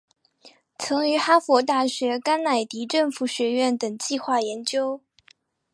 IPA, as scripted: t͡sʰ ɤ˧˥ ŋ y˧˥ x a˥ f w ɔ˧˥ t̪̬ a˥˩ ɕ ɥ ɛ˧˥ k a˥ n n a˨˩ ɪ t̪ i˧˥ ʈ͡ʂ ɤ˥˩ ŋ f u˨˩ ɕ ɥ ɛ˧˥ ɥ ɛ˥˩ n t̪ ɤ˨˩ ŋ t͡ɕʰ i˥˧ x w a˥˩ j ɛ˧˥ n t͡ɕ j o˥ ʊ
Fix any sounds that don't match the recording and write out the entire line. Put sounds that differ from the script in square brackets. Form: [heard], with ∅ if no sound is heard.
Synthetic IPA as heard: t͡sʰ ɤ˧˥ ŋ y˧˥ x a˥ f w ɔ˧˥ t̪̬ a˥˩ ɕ ɥ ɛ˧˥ k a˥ n n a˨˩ ɪ t̪ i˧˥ ʈ͡ʂ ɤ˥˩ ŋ f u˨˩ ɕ ɥ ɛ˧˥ ɥ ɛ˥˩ n t̪ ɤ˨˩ ŋ [t͡ɕ] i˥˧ x w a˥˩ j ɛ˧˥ n t͡ɕ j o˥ ʊ

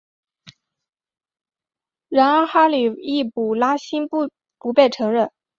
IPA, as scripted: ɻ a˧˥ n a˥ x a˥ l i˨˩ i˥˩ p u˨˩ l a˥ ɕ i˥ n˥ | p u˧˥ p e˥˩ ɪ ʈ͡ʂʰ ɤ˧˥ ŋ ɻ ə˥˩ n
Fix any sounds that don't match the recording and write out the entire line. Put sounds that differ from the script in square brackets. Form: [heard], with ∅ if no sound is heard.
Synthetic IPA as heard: ɻ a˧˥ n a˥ x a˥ l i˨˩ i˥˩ p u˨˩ l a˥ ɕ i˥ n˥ | p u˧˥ p e˥˩ ɪ ʈ͡ʂʰ ɤ˧˥ ŋ ɻ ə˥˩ n

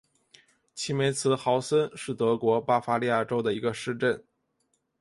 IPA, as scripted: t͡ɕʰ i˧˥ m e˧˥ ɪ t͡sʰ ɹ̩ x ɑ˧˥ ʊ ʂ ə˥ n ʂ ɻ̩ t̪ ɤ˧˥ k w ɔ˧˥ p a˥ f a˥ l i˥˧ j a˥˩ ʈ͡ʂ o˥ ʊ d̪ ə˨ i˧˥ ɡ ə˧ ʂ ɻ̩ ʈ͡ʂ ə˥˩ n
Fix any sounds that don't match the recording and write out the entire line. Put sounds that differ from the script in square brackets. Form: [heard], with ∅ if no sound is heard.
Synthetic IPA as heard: t͡ɕʰ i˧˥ m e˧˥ ɪ t͡sʰ ɹ̩ x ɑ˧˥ ʊ [s] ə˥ n ʂ ɻ̩ t̪ ɤ˧˥ k w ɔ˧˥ p a˥ f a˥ l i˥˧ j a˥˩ ʈ͡ʂ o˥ ʊ d̪ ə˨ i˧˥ ɡ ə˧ ʂ ɻ̩ ʈ͡ʂ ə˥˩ n

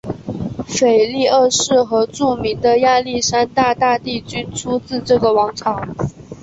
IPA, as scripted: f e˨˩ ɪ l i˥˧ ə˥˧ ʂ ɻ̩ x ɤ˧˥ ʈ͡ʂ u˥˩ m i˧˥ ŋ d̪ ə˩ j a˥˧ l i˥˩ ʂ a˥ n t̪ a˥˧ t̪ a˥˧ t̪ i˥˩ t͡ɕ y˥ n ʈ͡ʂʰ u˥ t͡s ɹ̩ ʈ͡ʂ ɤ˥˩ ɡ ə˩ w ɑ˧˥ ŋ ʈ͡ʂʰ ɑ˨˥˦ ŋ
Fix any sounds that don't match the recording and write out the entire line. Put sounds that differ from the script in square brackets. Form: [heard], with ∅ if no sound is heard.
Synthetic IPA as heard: f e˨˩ ɪ l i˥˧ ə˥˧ ʂ ɻ̩ x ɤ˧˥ ʈ͡ʂ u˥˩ m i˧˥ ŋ d̪ [ə˧] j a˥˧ l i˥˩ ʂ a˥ n t̪ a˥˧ t̪ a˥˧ t̪ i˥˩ t͡ɕ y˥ n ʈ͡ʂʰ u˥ t͡s ɹ̩ ʈ͡ʂ ɤ˥˩ ɡ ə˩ w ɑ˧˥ ŋ ʈ͡ʂʰ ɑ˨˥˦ ŋ

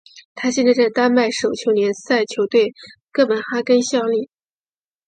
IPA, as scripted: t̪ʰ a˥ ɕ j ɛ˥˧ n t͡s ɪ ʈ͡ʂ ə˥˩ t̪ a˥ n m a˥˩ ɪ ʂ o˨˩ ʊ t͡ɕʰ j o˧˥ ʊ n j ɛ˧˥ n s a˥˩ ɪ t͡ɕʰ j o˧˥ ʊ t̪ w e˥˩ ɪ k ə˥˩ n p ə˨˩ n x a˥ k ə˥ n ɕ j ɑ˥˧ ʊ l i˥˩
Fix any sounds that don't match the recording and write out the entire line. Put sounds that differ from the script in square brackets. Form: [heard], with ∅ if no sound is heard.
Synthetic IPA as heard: t̪ʰ a˥ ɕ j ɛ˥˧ n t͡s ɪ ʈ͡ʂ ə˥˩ t̪ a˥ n m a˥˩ ɪ ʂ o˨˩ ʊ t͡ɕʰ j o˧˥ ʊ n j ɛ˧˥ n s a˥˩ ɪ t͡ɕʰ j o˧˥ ʊ t̪ w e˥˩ ɪ k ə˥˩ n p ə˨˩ n x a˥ k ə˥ n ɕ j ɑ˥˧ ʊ l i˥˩

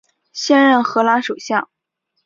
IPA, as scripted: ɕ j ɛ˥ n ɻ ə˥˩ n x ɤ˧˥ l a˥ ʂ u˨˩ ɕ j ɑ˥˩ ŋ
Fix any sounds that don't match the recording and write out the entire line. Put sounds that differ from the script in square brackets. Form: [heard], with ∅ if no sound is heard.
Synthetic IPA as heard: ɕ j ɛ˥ n ɻ ə˥˩ n x ɤ˧˥ l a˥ ʂ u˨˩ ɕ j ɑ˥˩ ŋ

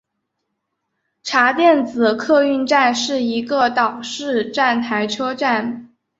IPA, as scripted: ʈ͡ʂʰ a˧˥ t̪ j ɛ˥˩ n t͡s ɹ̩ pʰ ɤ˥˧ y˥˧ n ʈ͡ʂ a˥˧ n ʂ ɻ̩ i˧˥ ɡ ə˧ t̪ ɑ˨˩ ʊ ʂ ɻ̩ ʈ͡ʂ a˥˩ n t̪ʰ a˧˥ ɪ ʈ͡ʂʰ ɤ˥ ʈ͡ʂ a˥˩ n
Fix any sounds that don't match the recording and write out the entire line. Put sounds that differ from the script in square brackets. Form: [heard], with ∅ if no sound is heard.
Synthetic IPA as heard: ʈ͡ʂʰ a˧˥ t̪ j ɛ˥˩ n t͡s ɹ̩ [kʰ] ɤ˥˧ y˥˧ n ʈ͡ʂ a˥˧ n ʂ ɻ̩ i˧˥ ɡ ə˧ t̪ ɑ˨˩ ʊ ʂ ɻ̩ ʈ͡ʂ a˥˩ n t̪ʰ a˧˥ ɪ ʈ͡ʂʰ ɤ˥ ʈ͡ʂ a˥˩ n

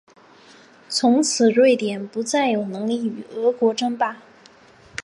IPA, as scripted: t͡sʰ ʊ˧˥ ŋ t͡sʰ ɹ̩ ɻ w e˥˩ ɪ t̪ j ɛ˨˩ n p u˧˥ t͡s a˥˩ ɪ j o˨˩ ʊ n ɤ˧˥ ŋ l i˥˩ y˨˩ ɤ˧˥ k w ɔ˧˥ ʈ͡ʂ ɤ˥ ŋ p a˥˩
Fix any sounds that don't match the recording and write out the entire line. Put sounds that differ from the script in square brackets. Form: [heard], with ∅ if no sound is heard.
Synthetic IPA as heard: t͡sʰ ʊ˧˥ ŋ t͡sʰ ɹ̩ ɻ w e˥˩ ɪ t̪ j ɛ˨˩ n p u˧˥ t͡s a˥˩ ɪ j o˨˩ ʊ n ɤ˧˥ ŋ l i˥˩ y˨˩ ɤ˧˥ k w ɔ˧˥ ʈ͡ʂ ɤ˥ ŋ p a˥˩

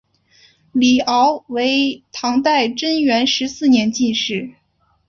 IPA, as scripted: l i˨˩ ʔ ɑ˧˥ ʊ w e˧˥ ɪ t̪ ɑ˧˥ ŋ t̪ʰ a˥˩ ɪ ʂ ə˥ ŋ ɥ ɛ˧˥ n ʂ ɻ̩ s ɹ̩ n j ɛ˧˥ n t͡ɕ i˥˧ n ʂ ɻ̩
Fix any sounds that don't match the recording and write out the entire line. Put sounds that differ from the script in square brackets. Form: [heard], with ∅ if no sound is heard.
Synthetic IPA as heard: l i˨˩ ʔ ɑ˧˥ ʊ w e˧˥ ɪ [t̪ʰ] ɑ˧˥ ŋ [t̪] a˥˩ ɪ [ʈ͡ʂ] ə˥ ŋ ɥ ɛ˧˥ n ʂ ɻ̩ s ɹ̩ n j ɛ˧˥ n t͡ɕ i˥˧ n ʂ ɻ̩

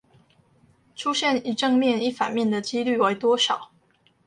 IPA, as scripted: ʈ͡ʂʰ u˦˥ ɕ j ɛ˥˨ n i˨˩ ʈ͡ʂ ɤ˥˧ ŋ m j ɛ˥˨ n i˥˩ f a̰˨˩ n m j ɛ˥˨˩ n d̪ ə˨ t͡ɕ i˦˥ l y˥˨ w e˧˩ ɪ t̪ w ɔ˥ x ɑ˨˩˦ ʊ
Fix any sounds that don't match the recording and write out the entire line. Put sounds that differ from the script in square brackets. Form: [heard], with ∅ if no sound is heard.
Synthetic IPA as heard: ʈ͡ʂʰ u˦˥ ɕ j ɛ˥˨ n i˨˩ ʈ͡ʂ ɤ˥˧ ŋ m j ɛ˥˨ n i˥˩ f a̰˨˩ n m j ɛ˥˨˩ n d̪ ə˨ t͡ɕ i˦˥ l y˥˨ w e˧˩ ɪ t̪ w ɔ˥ [ʂ] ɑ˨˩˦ ʊ

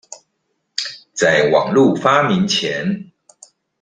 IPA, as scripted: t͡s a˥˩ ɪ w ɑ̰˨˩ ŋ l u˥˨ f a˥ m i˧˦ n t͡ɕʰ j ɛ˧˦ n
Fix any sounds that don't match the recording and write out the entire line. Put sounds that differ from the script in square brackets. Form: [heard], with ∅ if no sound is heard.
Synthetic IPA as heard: t͡s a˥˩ ɪ w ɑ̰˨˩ ŋ l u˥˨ f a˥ m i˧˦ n t͡ɕʰ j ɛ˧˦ n

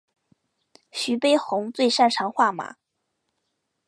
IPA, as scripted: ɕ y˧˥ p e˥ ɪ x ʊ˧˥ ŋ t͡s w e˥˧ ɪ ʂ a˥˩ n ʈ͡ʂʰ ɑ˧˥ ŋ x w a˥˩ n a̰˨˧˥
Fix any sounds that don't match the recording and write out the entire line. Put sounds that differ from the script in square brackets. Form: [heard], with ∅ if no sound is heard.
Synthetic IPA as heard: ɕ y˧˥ p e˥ ɪ x ʊ˧˥ ŋ t͡s w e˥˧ ɪ ʂ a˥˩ n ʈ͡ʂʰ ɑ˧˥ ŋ x w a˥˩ [m] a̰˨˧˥

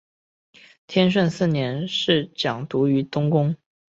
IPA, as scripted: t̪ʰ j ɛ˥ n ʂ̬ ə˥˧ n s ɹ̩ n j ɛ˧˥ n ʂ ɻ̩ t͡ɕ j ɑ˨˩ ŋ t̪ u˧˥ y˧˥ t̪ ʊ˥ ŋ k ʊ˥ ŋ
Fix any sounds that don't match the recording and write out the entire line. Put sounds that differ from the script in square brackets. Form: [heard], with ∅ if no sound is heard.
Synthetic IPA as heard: t̪ʰ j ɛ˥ n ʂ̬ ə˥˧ n s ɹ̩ n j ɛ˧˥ n ʂ ɻ̩ t͡ɕ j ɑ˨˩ ŋ t̪ u˧˥ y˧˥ t̪ ʊ˥ ŋ k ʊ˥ ŋ

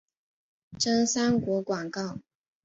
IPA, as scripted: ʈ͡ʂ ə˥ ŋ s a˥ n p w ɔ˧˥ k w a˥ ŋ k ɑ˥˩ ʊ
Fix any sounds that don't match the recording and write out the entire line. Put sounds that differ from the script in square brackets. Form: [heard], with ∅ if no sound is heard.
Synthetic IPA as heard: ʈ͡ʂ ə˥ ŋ s a˥ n [k] w ɔ˧˥ k w [a˨˩] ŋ k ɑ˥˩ ʊ

